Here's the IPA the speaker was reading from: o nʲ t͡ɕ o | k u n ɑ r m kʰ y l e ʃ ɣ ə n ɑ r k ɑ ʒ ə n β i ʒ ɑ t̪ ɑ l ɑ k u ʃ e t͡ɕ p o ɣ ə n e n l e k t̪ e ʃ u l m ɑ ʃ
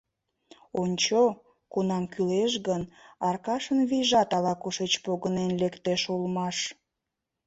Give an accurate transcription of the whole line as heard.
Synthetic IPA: o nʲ t͡ɕ o | k u n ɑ m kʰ y l e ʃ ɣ ə n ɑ r k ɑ ʃ ə n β i ʒ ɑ t̪ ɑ l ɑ k u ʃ e t͡ɕ p o ɣ ə n e n l e k t̪ e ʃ u l m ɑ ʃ